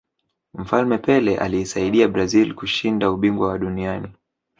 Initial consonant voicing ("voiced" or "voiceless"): voiced